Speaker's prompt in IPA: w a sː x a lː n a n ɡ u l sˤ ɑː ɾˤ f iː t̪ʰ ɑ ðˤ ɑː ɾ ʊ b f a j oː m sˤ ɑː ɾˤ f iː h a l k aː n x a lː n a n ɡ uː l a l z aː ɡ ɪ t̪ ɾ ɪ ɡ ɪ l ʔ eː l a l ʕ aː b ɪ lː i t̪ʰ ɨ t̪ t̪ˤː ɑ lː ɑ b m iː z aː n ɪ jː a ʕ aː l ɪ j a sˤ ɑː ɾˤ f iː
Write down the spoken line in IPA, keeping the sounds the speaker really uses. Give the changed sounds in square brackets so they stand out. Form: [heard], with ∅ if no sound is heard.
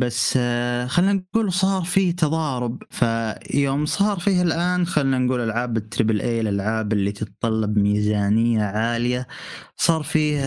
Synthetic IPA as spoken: [b] a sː x a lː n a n ɡ [uː] l sˤ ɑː ɾˤ f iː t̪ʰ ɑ ðˤ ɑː ɾ ʊ b f a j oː m sˤ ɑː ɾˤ f iː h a l [ʔ] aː n x a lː n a n ɡ uː l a l [ʕ] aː [b] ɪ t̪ ɾ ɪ [b] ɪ l ʔ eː l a l ʕ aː b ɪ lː i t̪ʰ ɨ t̪ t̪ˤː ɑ lː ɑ b m iː z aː n ɪ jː a ʕ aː l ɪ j a sˤ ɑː ɾˤ f iː